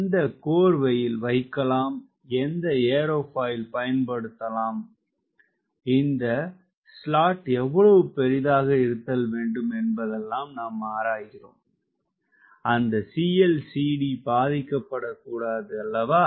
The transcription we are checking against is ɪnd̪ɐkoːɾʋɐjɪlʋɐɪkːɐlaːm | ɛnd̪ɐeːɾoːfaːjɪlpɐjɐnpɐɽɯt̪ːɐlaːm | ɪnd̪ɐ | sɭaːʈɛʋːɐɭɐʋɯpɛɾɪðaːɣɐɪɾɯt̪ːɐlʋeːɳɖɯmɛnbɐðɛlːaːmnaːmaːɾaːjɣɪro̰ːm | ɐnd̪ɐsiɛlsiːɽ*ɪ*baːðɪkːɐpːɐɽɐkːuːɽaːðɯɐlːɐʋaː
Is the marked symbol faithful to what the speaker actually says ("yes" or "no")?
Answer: no